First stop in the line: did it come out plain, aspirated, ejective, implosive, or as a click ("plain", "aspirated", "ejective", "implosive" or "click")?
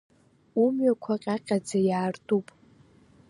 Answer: aspirated